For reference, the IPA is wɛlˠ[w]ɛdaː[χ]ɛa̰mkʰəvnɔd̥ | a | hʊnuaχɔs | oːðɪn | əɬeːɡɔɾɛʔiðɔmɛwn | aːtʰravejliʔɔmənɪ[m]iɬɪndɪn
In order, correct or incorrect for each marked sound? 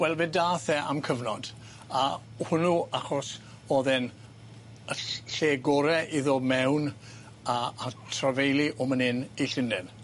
incorrect: v, incorrect: θ, incorrect: n

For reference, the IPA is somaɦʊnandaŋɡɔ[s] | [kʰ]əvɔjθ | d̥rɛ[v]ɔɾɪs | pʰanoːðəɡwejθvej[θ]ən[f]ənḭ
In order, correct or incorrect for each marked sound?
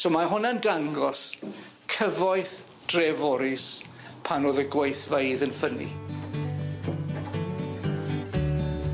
correct, correct, correct, incorrect: ð, correct

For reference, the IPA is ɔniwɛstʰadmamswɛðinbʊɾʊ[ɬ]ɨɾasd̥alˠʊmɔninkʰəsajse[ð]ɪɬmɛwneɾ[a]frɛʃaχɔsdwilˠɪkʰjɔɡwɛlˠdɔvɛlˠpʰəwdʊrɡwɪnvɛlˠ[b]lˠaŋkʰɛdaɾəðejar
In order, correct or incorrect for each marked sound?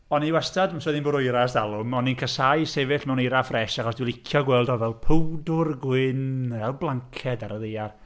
incorrect: none, incorrect: v, correct, correct

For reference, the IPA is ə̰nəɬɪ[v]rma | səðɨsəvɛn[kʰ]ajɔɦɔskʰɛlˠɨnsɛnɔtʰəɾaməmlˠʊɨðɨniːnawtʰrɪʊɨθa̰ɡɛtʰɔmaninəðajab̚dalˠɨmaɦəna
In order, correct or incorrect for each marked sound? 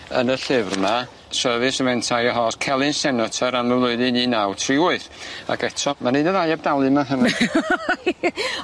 correct, incorrect: tʰ

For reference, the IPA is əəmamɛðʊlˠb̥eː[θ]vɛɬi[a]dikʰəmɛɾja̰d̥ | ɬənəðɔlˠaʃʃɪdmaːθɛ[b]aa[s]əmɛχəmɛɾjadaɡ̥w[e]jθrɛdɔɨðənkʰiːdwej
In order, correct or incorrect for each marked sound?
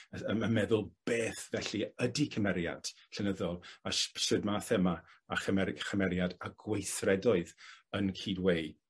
correct, incorrect: ə, incorrect: m, incorrect: χ, correct

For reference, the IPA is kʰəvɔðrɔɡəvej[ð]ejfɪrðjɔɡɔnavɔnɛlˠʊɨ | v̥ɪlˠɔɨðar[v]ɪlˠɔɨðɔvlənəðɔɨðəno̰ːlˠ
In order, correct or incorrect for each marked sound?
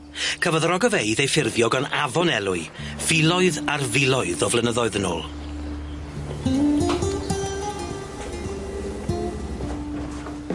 correct, correct

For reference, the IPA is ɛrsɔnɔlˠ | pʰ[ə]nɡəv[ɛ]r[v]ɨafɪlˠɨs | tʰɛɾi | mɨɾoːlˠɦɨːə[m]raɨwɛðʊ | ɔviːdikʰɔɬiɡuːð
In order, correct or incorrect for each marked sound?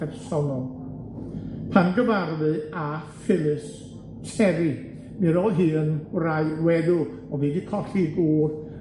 incorrect: a, incorrect: a, incorrect: ð, incorrect: n

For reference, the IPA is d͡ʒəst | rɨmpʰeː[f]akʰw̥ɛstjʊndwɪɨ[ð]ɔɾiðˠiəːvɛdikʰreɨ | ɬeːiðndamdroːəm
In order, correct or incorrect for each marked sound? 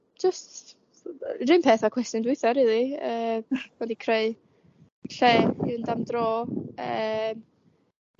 incorrect: θ, incorrect: θ

